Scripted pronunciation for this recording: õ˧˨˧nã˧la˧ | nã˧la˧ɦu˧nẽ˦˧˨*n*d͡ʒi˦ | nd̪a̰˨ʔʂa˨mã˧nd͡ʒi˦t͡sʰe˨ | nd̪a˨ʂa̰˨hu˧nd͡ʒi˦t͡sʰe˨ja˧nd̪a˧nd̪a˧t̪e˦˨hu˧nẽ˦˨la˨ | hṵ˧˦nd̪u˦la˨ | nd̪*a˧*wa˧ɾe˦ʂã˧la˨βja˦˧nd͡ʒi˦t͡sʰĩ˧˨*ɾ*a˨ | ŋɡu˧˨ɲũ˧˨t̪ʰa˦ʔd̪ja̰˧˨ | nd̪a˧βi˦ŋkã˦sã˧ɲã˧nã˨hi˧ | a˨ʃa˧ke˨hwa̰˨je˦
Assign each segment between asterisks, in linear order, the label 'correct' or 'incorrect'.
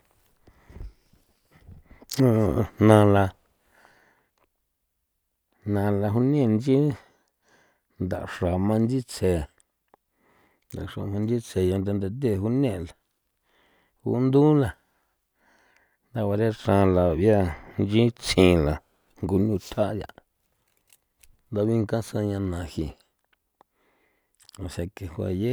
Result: correct, correct, incorrect

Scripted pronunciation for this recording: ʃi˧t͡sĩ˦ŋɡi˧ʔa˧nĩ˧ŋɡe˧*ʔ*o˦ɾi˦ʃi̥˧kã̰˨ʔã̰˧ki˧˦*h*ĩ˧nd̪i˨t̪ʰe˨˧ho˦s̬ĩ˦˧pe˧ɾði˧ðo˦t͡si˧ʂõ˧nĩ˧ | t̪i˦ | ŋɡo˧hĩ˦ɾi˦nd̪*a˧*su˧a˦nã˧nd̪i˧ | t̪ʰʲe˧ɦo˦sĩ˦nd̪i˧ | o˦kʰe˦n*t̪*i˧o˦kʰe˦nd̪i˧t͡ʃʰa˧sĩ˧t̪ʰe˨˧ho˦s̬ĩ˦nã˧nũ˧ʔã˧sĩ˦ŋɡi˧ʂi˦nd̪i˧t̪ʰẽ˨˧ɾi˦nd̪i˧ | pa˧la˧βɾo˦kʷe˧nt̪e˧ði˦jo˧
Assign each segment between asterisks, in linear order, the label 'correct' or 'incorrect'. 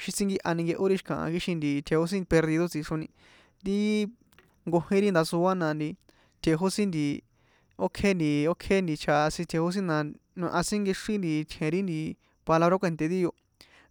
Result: correct, incorrect, correct, incorrect

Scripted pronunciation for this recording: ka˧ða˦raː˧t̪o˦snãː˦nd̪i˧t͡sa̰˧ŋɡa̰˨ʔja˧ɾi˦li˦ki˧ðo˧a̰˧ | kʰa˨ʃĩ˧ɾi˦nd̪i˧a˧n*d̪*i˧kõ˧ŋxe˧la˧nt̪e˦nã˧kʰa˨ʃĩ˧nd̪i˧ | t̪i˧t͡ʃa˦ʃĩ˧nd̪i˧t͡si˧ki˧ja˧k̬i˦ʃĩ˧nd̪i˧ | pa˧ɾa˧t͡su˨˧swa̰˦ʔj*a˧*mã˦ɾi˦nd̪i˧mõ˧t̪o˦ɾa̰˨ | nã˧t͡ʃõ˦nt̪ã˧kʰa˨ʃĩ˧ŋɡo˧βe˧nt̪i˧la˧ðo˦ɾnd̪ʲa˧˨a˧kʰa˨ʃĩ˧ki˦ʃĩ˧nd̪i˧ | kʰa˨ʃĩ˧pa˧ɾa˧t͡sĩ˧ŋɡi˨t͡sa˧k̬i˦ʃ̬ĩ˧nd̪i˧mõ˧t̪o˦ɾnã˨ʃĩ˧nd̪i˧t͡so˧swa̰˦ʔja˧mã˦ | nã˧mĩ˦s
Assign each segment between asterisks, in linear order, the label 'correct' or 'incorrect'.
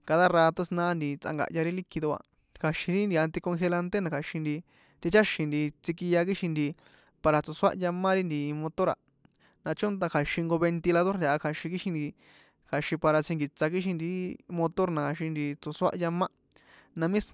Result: incorrect, correct

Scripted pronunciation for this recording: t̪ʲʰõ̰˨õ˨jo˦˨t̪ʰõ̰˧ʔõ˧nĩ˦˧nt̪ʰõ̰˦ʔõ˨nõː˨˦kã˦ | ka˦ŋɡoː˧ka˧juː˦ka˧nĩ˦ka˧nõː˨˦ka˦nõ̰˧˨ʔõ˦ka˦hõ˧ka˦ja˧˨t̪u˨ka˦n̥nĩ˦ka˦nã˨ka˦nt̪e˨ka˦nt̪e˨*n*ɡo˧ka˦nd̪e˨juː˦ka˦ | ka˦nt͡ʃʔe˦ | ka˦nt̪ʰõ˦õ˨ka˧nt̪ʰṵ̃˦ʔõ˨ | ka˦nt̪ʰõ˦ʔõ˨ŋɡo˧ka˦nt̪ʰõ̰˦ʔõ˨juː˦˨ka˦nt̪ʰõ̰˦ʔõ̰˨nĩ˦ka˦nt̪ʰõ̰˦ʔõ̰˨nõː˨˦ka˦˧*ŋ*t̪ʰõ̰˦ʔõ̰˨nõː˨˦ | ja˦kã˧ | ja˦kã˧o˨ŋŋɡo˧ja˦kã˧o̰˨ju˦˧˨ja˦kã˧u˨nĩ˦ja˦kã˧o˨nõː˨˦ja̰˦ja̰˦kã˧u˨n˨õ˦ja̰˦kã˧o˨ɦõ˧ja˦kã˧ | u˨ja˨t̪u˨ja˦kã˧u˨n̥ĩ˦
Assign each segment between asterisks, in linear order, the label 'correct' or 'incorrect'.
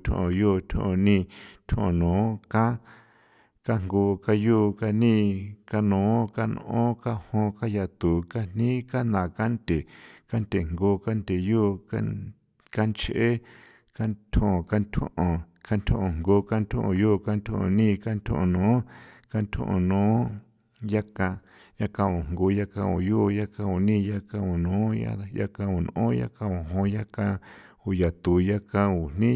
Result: incorrect, incorrect

